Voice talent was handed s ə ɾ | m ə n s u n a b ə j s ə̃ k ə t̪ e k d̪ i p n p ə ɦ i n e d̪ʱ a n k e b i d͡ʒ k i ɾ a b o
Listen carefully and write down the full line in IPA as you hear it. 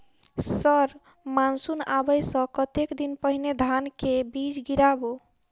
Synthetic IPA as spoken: s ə ɾ | m a n s u n a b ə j s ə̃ k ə t̪ e k d̪ i n p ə ɦ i n e d̪ʱ a n k e b i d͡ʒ ɡ i ɾ a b o